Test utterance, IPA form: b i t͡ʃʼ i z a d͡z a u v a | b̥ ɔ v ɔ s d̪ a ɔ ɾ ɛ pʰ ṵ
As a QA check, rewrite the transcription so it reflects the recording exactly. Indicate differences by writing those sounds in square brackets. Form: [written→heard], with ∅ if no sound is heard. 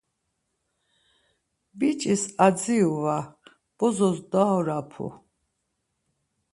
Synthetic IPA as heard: b i t͡ʃʼ i [z→s] a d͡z [a→i] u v a | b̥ ɔ [v→z] ɔ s d̪ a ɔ ɾ [ɛ→a] pʰ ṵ

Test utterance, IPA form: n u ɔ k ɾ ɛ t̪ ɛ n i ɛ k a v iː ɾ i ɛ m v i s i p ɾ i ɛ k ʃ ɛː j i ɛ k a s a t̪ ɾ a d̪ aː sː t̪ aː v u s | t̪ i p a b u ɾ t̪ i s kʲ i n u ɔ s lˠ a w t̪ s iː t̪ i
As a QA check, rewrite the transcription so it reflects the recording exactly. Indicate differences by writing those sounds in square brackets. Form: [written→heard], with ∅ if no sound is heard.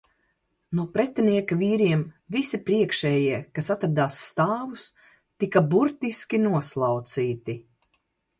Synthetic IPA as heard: n u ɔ [k→p] ɾ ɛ t̪ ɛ n i ɛ k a v iː ɾ i ɛ m v i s i p ɾ i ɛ k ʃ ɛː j i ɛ k a s a t̪ ɾ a d̪ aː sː t̪ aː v u s | t̪ i [p→k] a b u ɾ t̪ i s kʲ i n u ɔ s lˠ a w t̪ s iː t̪ i

